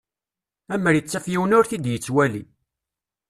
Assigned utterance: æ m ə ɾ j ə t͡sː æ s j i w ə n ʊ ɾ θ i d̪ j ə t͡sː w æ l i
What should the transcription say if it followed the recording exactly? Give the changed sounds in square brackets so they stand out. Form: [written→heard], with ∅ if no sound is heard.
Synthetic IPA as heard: æ m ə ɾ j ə t͡sː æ [s→f] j i w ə n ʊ ɾ θ i d̪ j ə t͡sː w æ l i